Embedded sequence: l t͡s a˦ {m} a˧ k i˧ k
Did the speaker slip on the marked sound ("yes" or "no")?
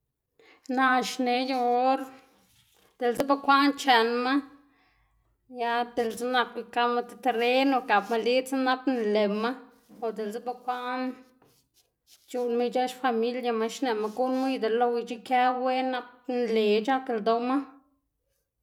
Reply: yes